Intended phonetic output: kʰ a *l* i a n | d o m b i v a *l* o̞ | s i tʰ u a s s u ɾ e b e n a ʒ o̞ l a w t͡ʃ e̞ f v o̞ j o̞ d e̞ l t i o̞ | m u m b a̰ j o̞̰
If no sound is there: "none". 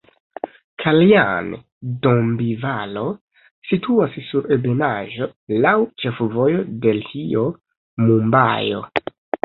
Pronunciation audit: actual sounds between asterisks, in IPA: l, l

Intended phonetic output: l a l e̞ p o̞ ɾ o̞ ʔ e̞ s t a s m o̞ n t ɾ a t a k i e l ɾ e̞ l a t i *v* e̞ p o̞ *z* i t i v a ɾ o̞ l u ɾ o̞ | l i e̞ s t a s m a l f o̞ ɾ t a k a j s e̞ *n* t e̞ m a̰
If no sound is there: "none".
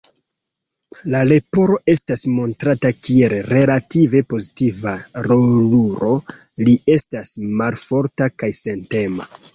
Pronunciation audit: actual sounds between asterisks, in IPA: v, z, n

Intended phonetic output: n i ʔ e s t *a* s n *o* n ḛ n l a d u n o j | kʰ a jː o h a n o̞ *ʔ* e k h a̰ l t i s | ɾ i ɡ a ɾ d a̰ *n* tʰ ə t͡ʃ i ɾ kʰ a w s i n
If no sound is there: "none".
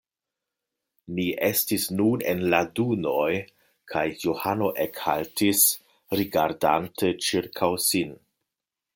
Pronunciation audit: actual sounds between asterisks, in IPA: i, u, ʔ, n

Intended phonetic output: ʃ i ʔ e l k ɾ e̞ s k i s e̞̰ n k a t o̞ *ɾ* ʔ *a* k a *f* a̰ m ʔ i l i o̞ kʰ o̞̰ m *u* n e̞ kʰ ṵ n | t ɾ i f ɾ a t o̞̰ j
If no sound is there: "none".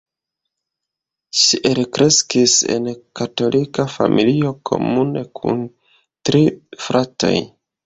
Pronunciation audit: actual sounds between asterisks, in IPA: l, i, f, u

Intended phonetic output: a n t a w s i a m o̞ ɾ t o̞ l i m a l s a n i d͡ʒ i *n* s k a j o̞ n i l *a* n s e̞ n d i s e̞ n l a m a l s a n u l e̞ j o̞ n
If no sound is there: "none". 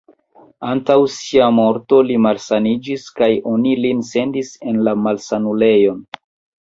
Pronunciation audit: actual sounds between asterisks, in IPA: none, i

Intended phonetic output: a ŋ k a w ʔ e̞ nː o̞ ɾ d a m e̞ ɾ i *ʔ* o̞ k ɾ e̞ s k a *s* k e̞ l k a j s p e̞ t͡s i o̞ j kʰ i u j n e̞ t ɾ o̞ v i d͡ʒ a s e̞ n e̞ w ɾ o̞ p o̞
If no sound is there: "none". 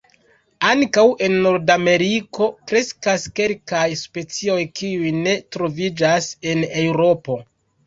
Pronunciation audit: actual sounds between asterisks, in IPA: k, s

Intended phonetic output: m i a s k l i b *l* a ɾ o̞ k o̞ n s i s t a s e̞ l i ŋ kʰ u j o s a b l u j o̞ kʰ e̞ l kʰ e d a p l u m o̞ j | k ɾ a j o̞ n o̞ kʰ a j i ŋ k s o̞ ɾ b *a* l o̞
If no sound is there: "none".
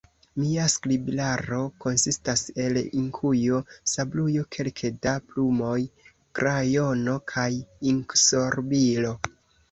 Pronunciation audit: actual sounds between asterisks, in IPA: l, i

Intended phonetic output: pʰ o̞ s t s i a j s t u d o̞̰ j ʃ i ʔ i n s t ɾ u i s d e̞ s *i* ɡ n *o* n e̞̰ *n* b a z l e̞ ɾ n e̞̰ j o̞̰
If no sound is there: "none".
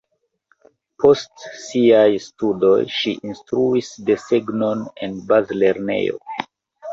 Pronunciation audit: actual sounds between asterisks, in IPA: e, o, n

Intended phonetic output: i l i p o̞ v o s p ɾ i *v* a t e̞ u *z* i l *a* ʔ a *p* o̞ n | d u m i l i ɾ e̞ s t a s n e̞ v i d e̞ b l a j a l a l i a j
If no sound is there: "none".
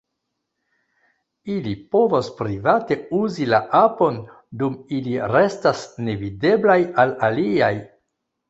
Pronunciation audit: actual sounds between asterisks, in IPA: v, z, a, p

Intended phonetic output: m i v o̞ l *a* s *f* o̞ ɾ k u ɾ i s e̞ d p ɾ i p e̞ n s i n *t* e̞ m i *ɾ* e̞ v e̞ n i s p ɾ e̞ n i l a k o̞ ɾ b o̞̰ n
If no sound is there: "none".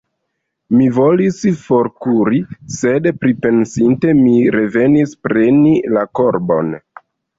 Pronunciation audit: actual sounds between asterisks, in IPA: i, f, t, ɾ

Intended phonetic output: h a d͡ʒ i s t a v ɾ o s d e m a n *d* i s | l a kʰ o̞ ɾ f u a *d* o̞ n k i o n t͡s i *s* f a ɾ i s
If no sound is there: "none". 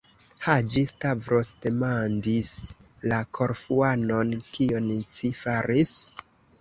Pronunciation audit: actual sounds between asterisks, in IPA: d, n, none

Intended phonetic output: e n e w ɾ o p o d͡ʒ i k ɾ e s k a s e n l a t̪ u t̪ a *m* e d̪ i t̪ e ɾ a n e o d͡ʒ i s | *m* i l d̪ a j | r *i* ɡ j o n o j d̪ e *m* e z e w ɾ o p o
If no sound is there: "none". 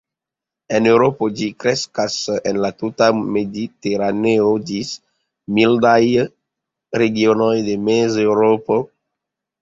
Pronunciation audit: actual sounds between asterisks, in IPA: m, m, e, m

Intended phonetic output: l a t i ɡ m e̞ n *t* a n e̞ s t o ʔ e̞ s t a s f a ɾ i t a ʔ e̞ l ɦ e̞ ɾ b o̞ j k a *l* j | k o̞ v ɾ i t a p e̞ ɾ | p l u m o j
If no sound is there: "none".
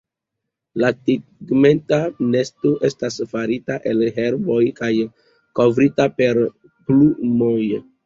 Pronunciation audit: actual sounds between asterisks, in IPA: t, none

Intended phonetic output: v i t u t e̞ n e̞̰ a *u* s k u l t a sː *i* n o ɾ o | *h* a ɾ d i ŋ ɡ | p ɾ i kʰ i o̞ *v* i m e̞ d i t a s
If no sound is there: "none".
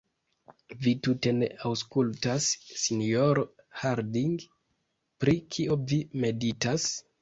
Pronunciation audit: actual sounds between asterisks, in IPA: w, i, h, v

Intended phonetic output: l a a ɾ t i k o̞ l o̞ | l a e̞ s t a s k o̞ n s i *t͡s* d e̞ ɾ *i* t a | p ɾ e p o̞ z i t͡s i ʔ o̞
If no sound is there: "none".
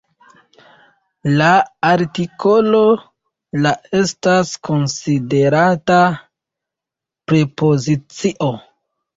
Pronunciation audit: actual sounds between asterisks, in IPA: none, a

